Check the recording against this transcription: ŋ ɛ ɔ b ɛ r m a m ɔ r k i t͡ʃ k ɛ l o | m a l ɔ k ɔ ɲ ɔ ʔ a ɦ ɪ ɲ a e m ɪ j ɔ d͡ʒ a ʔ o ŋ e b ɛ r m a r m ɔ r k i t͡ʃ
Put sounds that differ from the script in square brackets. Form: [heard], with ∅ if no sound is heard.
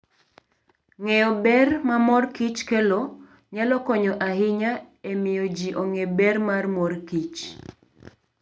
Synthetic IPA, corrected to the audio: ŋ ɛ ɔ b ɛ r m a m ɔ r k i t͡ʃ k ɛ l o | [ɲ] a l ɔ k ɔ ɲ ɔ ʔ a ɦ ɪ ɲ a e m ɪ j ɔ d͡ʒ [i] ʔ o ŋ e b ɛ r m a r m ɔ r k i t͡ʃ